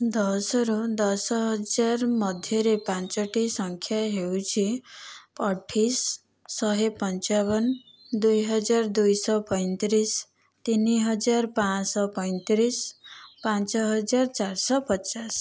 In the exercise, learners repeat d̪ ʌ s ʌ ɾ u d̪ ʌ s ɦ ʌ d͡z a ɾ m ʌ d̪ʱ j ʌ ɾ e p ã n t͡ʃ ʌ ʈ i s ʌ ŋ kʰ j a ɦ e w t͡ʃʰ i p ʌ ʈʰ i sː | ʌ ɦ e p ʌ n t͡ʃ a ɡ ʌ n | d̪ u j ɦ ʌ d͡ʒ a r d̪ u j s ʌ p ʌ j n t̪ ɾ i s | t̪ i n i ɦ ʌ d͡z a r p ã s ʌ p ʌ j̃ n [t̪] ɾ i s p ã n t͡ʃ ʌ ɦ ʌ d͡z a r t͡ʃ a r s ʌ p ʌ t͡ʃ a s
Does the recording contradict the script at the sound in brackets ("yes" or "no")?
no